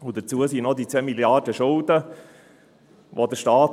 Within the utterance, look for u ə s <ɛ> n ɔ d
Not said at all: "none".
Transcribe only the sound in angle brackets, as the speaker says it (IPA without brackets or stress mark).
i